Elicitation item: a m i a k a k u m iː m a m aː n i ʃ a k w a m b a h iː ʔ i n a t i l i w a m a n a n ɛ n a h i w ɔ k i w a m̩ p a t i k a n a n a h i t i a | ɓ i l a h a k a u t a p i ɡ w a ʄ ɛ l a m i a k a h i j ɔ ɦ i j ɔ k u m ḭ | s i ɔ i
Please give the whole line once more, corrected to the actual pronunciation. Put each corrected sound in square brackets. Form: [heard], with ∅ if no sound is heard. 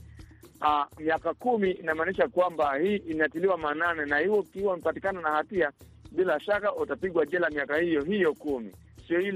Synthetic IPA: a m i a k a k u m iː [n] a m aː n i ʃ a k w a m b a h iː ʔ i n a t i l i w a m a n a n ɛ n a h i w ɔ k i w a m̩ p a t i k a n a n a h [a] t i a | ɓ i l a [ʃ] a k a u t a p i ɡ w a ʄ ɛ l a m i a k a h i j ɔ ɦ i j ɔ k u m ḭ | s i ɔ i